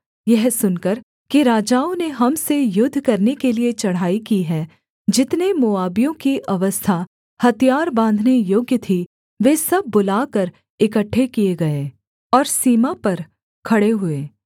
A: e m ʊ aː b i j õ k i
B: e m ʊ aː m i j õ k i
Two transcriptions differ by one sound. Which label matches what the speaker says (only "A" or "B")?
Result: A